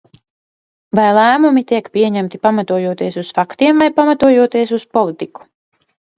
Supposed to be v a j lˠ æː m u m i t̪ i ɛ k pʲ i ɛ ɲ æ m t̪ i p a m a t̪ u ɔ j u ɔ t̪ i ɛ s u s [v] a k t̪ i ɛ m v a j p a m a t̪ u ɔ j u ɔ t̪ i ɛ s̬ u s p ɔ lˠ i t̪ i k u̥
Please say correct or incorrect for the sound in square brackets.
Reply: incorrect